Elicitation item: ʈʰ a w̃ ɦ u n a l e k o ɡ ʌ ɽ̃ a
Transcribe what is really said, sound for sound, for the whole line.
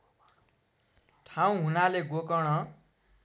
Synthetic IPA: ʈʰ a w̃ ɦ u n a l e ɡ o k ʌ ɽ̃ ʌ